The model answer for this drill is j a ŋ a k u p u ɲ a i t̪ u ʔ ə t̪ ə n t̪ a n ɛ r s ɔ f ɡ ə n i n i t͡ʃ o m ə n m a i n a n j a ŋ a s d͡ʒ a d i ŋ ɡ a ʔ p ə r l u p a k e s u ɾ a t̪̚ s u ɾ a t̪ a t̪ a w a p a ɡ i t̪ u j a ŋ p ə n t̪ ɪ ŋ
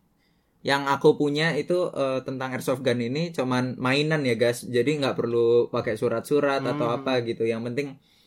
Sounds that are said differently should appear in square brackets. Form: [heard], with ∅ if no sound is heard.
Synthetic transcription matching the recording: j a ŋ a k u p u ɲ a i t̪ u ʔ ə t̪ ə n t̪ a [ŋ] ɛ r s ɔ f ɡ [a] n i n i t͡ʃ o m [a] n m a i n a n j a [ɡ] a s d͡ʒ a d i ŋ ɡ a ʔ p ə r l u p a k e s u ɾ a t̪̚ s u ɾ a t̪ a t̪ a w a p a ɡ i t̪ u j a ŋ p ə n t̪ ɪ ŋ